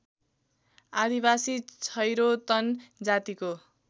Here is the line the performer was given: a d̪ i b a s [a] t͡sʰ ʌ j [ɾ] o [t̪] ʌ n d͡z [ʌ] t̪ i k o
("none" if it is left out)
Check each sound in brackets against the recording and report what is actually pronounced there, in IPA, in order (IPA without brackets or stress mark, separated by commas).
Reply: i, ɾ, t̪, a